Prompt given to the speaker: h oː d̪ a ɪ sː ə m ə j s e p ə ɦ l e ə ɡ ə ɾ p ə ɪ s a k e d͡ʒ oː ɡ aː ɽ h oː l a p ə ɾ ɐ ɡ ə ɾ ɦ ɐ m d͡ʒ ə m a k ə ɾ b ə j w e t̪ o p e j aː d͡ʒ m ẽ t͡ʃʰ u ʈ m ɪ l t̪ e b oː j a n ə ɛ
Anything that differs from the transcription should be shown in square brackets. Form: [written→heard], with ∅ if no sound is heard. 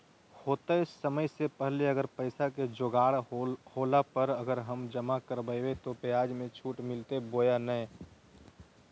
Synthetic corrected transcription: h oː [d̪→t̪] a ɪ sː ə m ə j s e p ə ɦ l e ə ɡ ə ɾ p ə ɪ s a k e d͡ʒ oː ɡ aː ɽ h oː l a p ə ɾ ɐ ɡ ə ɾ ɦ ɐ m d͡ʒ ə m a k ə ɾ b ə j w e t̪ o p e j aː d͡ʒ m ẽ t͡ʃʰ [u→uː] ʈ m ɪ l t̪ e b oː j a n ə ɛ

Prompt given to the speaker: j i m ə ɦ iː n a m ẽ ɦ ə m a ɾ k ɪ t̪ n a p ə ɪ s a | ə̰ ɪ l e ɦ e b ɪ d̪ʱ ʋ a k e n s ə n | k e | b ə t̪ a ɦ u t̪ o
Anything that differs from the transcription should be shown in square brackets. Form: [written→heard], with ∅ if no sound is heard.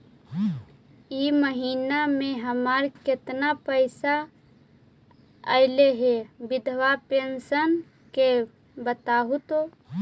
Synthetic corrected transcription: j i m ə ɦ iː n a m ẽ ɦ ə m a ɾ k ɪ t̪ n a p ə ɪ s a | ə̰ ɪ l e ɦ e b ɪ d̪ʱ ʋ a [k→p] e n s ə n | k e | b ə t̪ a ɦ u t̪ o

